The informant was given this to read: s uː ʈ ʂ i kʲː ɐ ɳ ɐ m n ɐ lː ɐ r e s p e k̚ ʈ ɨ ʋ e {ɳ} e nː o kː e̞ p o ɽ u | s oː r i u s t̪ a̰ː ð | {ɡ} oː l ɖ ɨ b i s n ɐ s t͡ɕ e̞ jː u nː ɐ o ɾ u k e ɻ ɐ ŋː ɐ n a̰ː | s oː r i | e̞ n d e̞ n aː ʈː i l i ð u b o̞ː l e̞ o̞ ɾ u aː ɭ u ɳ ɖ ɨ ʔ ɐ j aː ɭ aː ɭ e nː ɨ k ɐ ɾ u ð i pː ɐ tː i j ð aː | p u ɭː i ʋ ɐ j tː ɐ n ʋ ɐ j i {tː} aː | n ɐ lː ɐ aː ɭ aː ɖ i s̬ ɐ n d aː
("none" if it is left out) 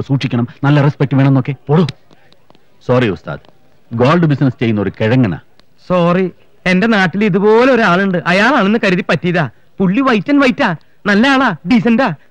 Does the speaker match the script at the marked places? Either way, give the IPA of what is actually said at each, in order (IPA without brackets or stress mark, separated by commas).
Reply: ɳ, ɡ, tː